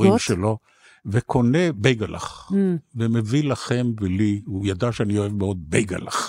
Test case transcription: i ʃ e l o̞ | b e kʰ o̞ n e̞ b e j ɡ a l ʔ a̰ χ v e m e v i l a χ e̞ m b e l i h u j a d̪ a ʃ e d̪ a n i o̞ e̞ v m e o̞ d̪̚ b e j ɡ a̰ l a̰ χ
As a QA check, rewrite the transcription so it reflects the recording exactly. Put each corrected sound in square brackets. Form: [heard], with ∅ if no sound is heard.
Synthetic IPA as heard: i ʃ e l o̞ | [v] e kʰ o̞ n e̞ b e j ɡ a l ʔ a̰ χ v e m e v i l a χ e̞ m [v] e l i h u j a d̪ a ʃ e [∅] a n i o̞ e̞ v m e o̞ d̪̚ b e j ɡ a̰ l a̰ χ